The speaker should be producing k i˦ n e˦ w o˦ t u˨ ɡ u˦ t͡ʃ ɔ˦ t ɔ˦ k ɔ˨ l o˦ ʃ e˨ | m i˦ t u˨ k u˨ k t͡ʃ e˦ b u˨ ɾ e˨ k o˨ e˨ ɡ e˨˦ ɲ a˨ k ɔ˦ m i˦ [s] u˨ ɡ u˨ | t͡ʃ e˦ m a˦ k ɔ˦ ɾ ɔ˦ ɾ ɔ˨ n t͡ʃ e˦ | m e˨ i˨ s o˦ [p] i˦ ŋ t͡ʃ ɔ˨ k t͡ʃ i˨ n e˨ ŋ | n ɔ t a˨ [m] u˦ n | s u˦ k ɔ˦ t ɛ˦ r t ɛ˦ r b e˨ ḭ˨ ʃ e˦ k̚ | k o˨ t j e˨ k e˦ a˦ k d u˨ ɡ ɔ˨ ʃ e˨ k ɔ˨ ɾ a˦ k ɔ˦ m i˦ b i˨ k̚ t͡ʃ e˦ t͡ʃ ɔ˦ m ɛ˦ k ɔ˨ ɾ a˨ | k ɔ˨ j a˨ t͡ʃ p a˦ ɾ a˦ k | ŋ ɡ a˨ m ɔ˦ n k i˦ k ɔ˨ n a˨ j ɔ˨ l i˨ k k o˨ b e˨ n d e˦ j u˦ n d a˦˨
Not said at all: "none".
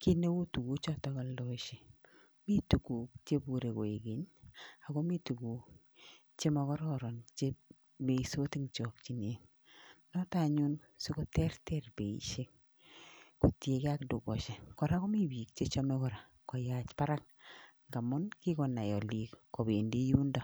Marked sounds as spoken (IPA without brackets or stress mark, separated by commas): t, t, ɲ